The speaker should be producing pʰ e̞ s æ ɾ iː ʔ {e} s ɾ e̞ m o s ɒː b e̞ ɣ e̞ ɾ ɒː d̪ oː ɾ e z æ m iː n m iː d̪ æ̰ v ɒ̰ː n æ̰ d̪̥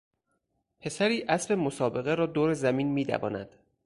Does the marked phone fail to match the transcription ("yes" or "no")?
yes